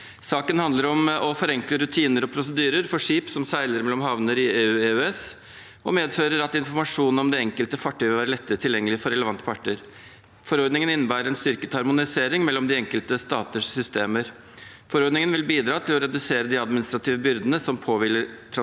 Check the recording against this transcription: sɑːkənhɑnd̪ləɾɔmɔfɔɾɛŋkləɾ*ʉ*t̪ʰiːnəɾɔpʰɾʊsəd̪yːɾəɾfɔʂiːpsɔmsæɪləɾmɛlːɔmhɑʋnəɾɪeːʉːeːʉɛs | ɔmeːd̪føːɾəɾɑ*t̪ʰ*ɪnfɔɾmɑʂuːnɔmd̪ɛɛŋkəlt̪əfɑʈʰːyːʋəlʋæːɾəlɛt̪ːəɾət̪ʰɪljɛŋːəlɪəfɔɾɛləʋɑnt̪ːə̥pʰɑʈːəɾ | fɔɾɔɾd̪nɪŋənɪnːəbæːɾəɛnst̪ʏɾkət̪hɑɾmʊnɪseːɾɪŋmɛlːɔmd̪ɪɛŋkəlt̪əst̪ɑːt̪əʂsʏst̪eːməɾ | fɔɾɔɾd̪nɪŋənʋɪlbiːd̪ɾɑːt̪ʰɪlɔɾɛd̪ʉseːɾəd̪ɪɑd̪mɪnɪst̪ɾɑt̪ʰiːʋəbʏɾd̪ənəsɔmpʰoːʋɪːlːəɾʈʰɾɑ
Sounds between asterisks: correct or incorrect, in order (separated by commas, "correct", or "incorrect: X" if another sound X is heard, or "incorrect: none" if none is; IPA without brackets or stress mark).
correct, incorrect: t̪